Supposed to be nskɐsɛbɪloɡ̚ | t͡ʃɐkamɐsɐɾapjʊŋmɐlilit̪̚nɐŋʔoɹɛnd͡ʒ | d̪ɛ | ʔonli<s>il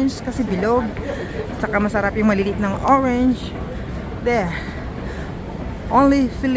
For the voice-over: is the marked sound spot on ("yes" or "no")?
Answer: no